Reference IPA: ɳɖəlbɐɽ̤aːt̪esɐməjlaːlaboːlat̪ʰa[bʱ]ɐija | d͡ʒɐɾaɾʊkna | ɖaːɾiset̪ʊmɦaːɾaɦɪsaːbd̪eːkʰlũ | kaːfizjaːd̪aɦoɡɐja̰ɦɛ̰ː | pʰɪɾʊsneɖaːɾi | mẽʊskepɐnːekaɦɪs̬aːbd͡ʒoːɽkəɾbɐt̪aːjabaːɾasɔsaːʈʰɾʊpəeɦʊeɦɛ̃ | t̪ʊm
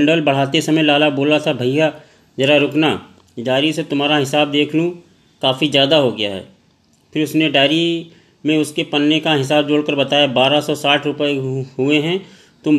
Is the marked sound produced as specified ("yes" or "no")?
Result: yes